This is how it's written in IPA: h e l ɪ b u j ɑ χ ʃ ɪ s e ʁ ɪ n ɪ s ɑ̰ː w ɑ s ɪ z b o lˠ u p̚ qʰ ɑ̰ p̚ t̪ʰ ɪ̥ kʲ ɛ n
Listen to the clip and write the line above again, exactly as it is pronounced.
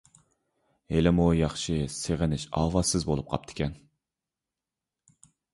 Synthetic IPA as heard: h e l ɪ m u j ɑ χ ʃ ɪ s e ʁ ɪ n ɪ ʃ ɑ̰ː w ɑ s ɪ z b o lˠ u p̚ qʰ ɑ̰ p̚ t̪ʰ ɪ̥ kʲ ɛ n